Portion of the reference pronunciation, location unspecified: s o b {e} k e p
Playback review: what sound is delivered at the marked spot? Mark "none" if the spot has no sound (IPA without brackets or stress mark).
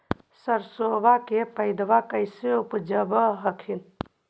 a